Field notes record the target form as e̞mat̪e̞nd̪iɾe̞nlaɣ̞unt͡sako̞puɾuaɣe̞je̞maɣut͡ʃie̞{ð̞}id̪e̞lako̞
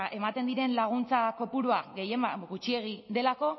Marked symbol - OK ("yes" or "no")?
no